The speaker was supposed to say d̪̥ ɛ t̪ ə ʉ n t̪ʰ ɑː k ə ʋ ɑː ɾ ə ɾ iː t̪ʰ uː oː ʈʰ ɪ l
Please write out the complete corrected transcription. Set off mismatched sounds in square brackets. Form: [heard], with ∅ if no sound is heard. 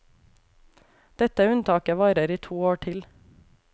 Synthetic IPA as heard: d̪̥ ɛ t̪ ə ʉ n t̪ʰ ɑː k ə ʋ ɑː ɾ ə ɾ iː t̪ʰ uː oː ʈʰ ɪ l